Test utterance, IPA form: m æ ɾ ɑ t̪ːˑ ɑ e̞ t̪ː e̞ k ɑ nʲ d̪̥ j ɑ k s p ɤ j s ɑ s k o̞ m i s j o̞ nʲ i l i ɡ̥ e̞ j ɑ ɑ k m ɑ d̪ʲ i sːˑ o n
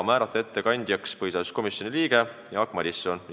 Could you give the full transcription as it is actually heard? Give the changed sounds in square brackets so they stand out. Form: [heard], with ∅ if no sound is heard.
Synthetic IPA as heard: m [æː] ɾ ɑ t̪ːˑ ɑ e̞ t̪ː e̞ k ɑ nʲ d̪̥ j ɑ k s p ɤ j s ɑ s k o̞ m i s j o̞ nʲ i l [iː] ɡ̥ e̞ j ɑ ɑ k m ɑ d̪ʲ i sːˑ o n